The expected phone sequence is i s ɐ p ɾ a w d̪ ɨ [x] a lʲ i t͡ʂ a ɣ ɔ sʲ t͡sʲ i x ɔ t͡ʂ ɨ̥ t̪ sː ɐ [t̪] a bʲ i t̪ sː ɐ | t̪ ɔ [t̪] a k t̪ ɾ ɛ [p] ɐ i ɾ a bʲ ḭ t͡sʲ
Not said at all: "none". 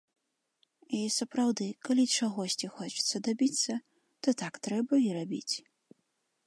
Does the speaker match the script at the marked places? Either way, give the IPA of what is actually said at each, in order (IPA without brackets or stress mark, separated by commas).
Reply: k, d̪, t̪, b